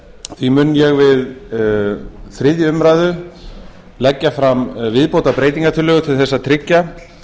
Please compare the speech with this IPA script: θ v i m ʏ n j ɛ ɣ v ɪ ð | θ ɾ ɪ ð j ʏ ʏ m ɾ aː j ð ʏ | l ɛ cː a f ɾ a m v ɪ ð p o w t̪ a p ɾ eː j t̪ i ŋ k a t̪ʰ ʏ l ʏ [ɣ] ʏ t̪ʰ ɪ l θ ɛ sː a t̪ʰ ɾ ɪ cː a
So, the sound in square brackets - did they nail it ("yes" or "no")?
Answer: yes